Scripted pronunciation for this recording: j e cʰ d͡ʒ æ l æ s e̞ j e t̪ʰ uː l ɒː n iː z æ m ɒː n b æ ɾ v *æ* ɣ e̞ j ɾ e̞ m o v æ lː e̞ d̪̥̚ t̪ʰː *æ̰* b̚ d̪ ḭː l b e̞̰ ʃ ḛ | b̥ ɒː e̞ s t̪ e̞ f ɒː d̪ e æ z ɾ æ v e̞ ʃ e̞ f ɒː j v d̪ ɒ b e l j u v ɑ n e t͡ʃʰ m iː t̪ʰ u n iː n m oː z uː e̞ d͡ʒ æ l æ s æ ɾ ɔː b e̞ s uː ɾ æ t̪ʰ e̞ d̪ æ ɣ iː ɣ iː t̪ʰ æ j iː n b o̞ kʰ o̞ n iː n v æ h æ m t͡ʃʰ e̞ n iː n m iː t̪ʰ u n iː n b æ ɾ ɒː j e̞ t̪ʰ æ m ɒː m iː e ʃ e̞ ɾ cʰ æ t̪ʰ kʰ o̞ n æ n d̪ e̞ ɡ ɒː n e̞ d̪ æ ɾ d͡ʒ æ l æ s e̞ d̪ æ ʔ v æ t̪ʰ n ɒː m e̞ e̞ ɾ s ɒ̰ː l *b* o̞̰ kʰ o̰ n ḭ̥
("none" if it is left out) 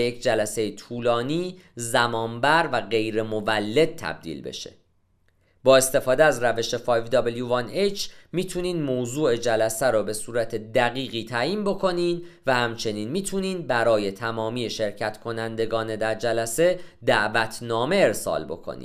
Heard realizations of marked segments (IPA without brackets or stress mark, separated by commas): æ, æ̰, b